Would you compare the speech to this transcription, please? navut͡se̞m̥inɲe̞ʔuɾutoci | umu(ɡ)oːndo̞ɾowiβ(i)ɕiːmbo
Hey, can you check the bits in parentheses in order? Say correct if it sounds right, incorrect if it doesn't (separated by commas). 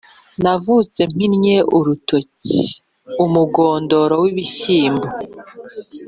correct, correct